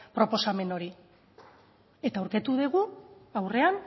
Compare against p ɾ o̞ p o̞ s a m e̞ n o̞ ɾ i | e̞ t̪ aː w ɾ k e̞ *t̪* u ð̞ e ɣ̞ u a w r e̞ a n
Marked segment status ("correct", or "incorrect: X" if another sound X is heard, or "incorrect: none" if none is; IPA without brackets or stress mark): correct